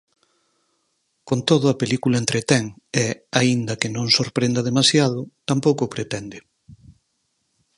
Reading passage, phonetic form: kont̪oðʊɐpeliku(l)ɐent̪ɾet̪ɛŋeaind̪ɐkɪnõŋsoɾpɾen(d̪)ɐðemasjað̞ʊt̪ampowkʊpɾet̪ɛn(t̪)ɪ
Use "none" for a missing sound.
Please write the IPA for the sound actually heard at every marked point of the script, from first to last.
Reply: l, d̪, d̪

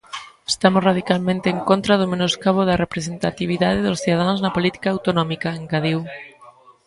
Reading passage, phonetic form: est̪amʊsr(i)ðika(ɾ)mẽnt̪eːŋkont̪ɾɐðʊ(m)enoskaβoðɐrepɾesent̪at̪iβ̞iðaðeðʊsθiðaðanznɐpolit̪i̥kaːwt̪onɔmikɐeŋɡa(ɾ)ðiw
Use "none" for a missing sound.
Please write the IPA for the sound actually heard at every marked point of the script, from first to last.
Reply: a, l, m, none

